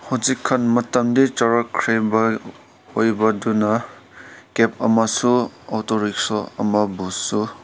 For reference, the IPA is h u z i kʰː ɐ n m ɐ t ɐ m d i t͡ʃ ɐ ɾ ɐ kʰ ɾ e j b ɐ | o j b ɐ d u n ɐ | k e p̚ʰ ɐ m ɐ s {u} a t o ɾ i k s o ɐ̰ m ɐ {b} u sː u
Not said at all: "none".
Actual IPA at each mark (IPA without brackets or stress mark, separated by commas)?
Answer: u, b